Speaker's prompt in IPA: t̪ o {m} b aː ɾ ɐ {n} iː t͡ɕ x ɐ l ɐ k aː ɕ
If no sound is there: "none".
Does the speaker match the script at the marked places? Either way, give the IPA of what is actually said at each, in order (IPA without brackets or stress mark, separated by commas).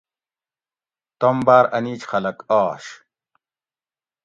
m, n